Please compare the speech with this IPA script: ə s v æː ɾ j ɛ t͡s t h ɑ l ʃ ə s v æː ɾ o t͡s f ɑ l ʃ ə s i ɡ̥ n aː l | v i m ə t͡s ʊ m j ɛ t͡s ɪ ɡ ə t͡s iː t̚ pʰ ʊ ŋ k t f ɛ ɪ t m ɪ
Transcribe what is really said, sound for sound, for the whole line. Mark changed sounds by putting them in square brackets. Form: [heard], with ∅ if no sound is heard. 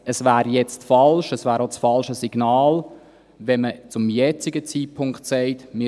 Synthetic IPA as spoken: ə s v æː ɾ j ɛ t͡s t [f] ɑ l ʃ ə s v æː ɾ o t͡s f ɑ l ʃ ə s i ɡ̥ n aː l | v [ɛ] m ə t͡s ʊ m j ɛ t͡s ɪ ɡ ə t͡s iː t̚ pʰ ʊ ŋ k t [s] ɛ ɪ t m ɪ